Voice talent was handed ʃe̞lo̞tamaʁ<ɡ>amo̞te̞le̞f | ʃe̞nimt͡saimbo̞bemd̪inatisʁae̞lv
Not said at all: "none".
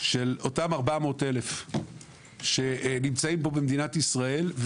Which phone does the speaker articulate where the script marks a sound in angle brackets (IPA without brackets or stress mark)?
b